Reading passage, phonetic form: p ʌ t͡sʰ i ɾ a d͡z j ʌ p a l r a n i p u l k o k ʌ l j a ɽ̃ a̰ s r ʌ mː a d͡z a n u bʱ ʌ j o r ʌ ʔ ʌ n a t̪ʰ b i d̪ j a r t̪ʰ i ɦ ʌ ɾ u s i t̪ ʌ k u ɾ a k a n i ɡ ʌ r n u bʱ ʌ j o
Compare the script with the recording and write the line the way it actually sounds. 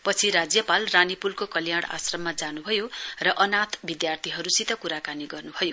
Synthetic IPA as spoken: p ʌ t͡sʰ i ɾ a d͡z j ʌ p a l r a n i p u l k o k ʌ l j a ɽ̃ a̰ s r ʌ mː a d͡z a n u bʱ ʌ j o r ʌ ʔ ʌ n a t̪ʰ b i d̪ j a r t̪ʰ i ɦ ʌ ɾ u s i t̪ ʌ k u ɾ a k a n i ɡ ʌ r n u bʱ ʌ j o